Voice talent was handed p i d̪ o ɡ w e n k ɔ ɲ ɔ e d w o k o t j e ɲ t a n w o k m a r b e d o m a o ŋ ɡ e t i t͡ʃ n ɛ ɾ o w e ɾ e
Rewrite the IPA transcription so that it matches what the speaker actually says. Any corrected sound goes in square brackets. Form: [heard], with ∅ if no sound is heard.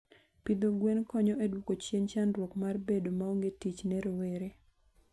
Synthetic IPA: p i d̪ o ɡ w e n k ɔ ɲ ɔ e d w o k o [t͡ʃ] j e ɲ [t͡ʃ] a n w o k m a r b e d o m a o ŋ ɡ e t i t͡ʃ n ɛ ɾ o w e ɾ e